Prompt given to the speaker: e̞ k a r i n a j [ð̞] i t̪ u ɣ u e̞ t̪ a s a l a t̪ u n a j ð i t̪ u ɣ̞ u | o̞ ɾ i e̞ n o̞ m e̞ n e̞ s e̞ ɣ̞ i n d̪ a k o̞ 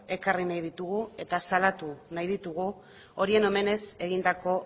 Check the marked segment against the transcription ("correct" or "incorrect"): correct